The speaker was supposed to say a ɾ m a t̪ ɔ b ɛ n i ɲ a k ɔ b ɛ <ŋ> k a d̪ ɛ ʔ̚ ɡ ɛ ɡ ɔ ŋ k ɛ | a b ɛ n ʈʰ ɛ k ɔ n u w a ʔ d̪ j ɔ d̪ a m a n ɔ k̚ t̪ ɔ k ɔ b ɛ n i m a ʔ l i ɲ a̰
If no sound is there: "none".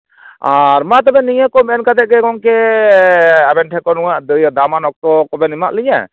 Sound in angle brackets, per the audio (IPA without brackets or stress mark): n